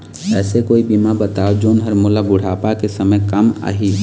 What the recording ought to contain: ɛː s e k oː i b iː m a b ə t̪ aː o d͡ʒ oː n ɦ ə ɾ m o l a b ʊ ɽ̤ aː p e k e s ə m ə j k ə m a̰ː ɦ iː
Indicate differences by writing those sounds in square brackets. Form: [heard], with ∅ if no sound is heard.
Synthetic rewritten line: ɛː s e k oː i b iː m a b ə t̪ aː o d͡ʒ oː n ɦ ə ɾ m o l a b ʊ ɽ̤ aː p [a] k e s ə m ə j k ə m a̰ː ɦ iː